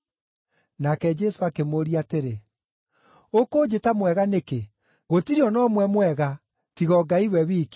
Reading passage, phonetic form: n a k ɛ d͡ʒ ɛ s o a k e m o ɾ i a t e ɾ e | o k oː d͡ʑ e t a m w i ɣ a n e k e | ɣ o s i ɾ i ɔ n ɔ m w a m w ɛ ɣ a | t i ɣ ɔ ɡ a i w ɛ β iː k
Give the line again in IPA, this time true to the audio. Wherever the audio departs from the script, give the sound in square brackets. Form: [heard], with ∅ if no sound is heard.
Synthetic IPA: n a k ɛ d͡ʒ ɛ s o a k e m o ɾ i a t e ɾ e | o k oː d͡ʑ e t a m w [ɛ] ɣ a n e k e | ɣ o [t] i ɾ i ɔ n ɔ m w [ɛ] m w ɛ ɣ a | t i ɣ ɔ ɡ a i w ɛ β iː k